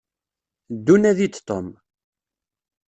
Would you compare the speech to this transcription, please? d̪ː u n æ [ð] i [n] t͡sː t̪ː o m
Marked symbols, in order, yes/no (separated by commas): yes, no